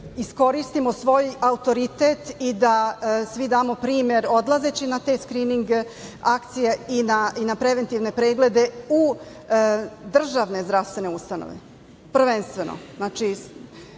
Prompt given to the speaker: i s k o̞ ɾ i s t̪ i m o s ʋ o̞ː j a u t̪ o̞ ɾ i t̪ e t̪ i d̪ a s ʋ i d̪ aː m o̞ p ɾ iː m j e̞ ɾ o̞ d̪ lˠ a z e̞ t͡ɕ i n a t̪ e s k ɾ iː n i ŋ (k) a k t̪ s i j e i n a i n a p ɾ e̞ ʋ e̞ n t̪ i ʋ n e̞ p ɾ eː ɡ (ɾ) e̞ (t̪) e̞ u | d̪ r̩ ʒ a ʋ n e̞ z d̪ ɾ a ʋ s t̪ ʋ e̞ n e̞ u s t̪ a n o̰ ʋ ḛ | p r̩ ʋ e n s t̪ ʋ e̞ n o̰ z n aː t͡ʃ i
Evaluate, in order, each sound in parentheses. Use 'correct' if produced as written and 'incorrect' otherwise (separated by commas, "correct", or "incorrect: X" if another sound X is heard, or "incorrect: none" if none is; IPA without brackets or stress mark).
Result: incorrect: ɡ, incorrect: l, incorrect: d̪